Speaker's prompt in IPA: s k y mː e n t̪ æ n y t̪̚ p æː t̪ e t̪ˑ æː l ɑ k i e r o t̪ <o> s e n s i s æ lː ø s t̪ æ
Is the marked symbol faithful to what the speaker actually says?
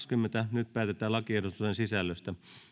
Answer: no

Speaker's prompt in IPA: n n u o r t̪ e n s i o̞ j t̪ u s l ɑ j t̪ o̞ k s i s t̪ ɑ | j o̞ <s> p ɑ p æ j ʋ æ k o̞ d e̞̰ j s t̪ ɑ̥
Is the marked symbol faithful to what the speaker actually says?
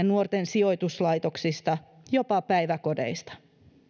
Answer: no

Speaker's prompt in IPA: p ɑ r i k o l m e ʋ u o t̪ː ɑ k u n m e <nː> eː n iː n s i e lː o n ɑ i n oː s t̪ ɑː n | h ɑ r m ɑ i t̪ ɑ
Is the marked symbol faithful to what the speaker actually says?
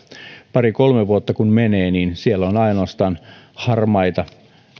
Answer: no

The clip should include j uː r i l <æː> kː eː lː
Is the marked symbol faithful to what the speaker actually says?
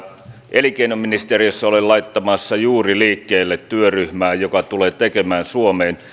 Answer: no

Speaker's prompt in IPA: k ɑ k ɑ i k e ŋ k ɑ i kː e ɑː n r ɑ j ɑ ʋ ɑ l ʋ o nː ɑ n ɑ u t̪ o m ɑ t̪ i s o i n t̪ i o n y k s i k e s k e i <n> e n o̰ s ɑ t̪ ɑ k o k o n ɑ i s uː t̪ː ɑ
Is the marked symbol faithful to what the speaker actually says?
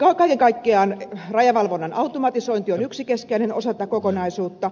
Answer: yes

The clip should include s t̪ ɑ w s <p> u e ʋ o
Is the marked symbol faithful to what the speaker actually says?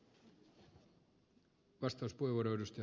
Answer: yes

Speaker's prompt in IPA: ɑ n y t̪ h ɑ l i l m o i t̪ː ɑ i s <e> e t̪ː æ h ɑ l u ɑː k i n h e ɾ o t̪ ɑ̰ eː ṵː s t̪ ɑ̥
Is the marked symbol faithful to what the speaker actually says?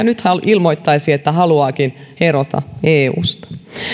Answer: no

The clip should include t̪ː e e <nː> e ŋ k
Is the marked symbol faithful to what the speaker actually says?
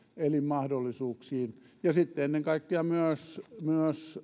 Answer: yes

